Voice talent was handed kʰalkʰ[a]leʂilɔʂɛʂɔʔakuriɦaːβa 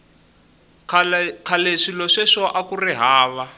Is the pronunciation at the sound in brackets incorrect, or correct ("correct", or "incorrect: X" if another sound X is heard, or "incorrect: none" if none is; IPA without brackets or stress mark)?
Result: correct